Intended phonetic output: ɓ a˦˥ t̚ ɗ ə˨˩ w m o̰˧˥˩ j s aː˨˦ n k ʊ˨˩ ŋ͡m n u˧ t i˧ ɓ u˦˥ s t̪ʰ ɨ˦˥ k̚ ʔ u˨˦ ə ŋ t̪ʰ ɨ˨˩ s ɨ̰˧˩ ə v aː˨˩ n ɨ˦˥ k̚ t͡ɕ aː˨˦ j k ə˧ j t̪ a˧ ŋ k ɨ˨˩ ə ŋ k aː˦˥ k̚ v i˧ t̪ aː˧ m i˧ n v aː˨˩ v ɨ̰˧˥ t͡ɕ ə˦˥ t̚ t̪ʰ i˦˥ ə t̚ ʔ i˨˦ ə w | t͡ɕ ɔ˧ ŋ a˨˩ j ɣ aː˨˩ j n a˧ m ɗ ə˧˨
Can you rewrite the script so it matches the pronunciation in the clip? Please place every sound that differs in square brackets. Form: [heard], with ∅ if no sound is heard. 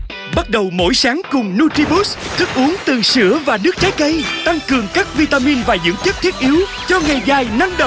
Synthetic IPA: ɓ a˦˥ t̚ ɗ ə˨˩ w m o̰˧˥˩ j s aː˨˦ [ŋ] k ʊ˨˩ ŋ͡m n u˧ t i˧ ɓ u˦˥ s t̪ʰ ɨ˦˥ k̚ ʔ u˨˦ ə ŋ [t̪] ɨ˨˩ s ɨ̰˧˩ ə v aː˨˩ n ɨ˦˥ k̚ t͡ɕ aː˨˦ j k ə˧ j t̪ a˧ ŋ k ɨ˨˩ ə ŋ k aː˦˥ k̚ v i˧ t̪ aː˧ m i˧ n v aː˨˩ [z] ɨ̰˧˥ t͡ɕ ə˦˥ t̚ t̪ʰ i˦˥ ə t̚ ʔ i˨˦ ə w | t͡ɕ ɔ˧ ŋ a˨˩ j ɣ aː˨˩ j n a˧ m ɗ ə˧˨